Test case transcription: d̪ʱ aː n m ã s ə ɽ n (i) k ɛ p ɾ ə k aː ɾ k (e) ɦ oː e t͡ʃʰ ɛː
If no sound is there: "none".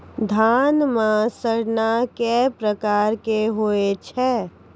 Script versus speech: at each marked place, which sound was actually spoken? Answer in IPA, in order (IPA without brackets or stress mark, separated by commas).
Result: a, e